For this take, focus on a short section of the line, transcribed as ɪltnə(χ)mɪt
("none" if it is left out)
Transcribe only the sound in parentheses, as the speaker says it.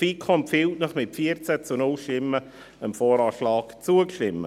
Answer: χ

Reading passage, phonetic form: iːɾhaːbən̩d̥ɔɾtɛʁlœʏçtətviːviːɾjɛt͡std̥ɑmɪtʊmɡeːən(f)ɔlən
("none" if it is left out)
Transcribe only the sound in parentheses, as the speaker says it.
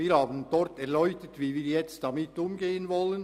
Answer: v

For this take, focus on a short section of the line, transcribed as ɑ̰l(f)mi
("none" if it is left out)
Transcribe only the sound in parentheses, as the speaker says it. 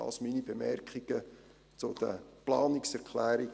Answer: s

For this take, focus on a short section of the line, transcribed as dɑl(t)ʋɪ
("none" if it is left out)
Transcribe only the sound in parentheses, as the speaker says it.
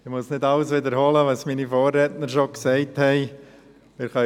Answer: s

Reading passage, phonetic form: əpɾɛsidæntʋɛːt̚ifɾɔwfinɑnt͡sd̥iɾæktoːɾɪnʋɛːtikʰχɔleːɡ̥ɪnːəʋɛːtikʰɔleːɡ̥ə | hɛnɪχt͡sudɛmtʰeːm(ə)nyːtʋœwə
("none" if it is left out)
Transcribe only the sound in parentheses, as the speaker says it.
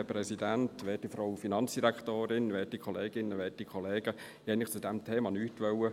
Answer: ɑ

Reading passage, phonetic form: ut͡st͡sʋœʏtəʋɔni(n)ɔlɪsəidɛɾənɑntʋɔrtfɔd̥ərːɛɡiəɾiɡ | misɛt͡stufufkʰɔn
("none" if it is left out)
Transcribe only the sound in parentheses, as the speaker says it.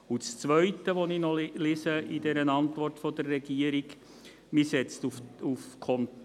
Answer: n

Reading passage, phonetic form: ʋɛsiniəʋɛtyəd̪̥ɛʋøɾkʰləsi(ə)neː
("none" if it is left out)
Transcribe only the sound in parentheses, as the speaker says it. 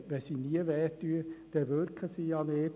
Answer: ɑ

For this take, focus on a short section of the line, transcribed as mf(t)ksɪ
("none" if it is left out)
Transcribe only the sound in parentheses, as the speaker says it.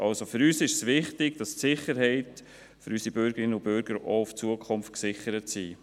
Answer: t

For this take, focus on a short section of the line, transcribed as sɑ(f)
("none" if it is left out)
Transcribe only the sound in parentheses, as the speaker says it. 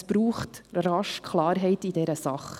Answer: χ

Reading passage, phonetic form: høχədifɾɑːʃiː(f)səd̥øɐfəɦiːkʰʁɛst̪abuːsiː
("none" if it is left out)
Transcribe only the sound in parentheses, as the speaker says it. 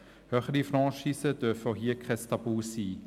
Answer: none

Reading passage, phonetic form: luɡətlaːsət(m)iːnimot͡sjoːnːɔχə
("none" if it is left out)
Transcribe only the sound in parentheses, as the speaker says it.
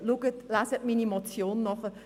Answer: m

